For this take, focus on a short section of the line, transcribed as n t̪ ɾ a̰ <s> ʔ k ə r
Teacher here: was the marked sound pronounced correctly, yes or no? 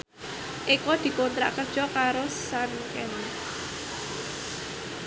no